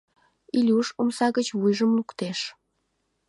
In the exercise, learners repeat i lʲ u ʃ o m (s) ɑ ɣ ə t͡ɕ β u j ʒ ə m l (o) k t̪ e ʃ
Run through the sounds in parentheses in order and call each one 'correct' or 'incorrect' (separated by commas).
correct, incorrect